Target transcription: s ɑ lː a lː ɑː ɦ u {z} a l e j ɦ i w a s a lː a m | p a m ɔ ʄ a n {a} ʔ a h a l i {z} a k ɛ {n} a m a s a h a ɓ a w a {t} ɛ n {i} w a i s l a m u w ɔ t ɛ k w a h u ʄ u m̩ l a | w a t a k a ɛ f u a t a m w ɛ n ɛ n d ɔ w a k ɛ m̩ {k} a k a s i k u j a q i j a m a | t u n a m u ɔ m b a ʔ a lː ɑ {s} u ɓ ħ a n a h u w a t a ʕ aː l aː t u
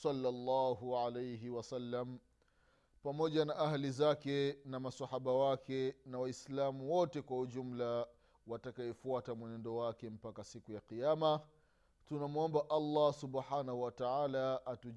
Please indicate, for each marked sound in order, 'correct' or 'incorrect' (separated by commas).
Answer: incorrect, correct, correct, correct, incorrect, incorrect, incorrect, correct